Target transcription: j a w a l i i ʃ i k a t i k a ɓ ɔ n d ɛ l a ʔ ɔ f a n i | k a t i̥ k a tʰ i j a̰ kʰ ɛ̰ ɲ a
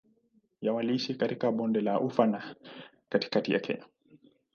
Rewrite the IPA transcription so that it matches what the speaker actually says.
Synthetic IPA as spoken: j a w a l i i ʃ i k a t i k a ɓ ɔ n d ɛ l a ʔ u f a n a | k a t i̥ k a t i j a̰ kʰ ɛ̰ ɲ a

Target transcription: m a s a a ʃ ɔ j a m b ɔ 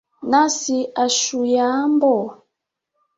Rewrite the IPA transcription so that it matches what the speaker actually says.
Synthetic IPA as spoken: n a s i a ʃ u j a m b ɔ

